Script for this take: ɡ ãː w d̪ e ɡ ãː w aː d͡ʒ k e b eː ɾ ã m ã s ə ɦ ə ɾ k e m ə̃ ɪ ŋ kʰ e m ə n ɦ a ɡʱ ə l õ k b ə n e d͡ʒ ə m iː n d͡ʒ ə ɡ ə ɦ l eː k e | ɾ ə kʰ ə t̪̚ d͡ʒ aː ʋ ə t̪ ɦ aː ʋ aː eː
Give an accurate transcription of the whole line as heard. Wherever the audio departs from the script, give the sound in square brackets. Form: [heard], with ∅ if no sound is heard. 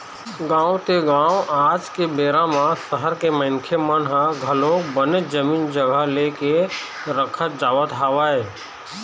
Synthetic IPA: ɡ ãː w [t̪] e ɡ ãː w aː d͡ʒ k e b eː ɾ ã m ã s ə ɦ ə ɾ k e m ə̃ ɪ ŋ kʰ e m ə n ɦ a ɡʱ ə l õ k b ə n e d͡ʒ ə m iː n d͡ʒ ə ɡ ə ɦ l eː k e | ɾ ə kʰ ə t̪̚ d͡ʒ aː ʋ ə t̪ ɦ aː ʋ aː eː